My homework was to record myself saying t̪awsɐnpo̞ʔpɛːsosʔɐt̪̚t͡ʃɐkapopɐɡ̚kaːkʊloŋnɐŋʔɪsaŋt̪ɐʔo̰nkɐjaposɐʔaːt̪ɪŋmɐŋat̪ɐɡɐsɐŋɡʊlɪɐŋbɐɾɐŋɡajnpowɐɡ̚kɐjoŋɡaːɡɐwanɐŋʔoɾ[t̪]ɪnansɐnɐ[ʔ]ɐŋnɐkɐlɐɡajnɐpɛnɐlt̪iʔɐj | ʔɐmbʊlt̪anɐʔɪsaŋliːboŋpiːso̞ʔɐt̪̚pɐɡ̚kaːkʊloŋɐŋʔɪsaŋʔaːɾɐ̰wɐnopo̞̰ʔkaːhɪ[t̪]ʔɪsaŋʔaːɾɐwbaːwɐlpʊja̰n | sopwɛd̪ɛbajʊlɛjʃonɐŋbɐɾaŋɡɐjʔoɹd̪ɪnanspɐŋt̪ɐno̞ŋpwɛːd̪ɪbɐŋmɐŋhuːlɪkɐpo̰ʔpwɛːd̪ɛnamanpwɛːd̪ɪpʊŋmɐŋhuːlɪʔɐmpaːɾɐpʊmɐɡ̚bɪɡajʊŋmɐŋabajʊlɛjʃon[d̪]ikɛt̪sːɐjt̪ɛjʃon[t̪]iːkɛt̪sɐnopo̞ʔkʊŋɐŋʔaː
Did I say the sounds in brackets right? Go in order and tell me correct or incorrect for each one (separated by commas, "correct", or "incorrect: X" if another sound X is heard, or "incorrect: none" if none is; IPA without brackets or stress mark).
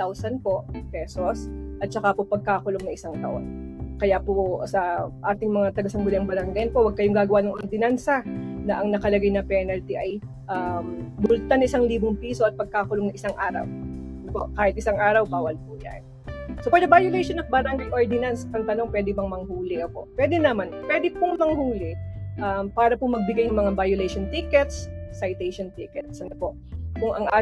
incorrect: d̪, correct, correct, incorrect: t̪, correct